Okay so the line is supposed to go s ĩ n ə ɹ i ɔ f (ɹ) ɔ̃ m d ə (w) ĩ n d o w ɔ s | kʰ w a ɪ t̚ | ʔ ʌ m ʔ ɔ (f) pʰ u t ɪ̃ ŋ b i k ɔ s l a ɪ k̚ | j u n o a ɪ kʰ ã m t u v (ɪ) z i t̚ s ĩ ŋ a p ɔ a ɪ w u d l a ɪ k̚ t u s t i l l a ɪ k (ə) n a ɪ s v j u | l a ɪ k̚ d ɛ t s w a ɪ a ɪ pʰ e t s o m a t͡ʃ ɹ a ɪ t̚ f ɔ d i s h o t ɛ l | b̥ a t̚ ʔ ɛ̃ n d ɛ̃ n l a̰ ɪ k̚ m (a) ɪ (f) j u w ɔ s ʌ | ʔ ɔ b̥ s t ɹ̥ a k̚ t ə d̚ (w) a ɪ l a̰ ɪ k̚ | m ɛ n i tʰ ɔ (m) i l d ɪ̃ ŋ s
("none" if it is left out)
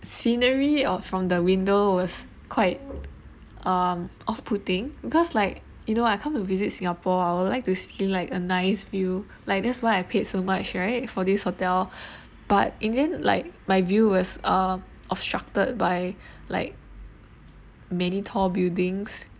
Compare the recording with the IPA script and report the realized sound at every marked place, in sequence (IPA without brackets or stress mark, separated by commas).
ɹ, w, f, i, ə, a, v, b, b